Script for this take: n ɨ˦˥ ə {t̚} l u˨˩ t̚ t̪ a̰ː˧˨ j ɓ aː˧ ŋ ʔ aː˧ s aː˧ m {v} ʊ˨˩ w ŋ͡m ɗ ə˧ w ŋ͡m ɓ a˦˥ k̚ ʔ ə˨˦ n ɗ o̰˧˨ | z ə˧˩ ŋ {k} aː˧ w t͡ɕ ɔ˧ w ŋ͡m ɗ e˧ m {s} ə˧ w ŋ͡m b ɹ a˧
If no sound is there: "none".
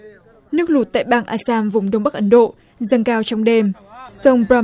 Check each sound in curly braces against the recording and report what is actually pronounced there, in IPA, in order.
k̚, v, k, s

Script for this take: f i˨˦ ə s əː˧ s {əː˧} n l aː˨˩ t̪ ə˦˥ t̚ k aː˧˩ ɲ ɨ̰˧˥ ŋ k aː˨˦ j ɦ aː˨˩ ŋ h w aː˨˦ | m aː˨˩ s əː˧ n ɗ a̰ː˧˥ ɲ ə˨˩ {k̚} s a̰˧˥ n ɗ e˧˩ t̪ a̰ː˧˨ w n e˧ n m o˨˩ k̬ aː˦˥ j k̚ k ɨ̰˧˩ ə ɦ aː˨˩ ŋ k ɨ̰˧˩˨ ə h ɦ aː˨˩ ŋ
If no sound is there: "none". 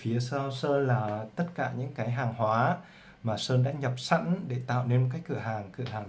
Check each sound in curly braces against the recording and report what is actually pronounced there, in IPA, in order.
əː˧, p̚

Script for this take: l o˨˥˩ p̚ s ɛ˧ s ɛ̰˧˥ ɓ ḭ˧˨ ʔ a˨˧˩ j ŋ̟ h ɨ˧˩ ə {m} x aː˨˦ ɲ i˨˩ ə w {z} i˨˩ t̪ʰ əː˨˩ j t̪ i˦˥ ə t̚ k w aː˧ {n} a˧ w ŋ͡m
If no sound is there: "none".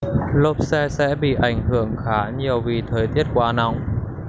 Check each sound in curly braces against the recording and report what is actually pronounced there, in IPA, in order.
ŋ, v, n

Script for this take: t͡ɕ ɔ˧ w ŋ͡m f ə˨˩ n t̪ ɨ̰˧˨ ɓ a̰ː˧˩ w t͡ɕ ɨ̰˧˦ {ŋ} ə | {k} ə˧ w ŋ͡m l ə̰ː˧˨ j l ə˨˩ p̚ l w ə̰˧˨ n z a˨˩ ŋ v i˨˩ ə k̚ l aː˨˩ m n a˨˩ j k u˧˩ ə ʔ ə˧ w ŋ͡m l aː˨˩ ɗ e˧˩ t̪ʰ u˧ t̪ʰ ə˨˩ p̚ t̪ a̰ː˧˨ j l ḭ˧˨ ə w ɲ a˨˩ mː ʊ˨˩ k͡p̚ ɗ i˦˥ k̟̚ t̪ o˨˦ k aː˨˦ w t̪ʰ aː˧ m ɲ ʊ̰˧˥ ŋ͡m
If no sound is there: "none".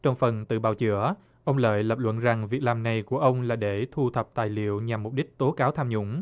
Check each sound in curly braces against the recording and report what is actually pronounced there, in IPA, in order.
none, ʔ

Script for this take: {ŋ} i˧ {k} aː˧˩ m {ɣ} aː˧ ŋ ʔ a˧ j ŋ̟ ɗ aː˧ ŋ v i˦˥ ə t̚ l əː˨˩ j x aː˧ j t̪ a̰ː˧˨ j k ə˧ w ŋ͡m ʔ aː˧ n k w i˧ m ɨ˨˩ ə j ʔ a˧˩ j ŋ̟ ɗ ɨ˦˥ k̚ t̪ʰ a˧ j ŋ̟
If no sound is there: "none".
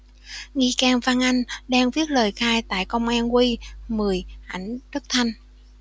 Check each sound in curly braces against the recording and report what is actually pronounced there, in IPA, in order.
ŋ, k, v

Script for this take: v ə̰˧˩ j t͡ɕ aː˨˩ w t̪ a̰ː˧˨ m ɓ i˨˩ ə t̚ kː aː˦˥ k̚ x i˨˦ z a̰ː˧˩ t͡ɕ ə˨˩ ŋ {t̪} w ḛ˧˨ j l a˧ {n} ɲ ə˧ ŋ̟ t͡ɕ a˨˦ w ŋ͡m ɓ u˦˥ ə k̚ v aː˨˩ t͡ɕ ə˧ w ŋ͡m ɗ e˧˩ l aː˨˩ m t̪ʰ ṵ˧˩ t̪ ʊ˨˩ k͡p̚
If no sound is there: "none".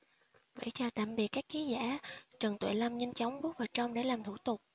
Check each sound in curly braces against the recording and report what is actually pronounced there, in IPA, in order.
t̪, m

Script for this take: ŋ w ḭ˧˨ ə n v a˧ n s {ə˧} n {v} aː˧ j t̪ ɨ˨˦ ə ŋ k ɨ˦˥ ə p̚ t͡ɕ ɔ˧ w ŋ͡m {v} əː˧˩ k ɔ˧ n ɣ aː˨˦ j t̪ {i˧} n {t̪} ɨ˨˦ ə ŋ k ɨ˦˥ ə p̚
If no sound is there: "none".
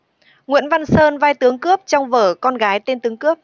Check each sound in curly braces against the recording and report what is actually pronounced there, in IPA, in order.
əː˧, v, v, e˧, t̪

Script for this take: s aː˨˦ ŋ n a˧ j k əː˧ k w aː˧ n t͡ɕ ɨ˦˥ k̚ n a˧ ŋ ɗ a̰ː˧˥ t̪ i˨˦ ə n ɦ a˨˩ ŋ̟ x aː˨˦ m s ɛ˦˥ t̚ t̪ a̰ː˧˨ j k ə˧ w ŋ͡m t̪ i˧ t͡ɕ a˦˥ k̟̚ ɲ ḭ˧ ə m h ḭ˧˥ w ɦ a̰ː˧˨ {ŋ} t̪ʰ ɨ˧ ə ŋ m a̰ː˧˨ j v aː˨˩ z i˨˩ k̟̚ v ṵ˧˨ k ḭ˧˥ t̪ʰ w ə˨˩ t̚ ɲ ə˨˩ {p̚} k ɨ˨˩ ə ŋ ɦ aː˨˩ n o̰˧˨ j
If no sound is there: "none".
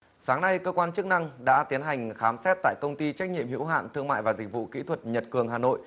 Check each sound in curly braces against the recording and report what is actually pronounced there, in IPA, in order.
n, t̚

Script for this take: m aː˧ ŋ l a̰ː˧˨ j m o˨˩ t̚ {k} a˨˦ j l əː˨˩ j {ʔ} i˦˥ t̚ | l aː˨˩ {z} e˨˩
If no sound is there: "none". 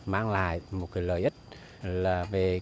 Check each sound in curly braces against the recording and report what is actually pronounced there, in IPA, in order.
k, ʔ, v

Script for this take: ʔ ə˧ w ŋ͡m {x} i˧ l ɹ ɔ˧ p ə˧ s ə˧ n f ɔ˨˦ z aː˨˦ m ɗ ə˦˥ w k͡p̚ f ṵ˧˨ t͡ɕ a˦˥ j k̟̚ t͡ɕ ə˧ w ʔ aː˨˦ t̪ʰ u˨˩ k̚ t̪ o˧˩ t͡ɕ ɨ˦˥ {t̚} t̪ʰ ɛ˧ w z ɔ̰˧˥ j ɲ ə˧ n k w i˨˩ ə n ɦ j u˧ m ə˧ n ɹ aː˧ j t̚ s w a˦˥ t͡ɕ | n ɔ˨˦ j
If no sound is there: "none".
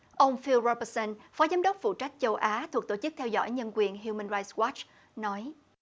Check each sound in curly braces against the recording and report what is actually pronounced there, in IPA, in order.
f, k̚

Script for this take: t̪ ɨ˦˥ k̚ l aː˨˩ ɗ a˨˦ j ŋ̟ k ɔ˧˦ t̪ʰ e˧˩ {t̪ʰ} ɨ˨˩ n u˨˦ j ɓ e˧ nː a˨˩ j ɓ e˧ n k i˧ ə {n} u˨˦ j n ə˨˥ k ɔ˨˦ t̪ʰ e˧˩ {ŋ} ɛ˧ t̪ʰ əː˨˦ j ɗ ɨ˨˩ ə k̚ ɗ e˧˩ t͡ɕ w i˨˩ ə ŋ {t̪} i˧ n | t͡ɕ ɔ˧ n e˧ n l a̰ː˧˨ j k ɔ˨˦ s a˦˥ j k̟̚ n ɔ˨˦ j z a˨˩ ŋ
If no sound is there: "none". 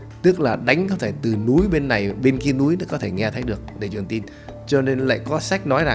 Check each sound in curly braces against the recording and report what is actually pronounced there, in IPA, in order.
t̪, n, ŋ, t̪

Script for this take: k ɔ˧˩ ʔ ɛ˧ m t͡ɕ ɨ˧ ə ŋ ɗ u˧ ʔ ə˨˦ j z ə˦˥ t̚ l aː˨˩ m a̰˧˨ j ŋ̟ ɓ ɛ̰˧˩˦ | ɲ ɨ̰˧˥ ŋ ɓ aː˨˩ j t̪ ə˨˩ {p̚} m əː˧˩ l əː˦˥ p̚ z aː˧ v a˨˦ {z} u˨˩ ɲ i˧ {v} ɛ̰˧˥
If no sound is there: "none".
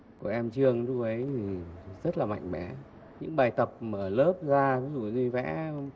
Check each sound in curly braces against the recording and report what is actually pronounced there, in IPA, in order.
p̚, z, v

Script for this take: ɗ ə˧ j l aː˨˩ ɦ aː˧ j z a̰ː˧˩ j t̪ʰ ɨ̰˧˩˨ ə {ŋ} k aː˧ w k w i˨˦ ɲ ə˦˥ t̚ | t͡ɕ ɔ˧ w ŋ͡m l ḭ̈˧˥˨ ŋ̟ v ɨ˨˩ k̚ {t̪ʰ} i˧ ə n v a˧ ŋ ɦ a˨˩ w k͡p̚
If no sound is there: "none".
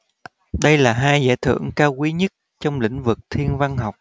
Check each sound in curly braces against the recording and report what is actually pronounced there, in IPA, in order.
ŋ, t̪ʰ

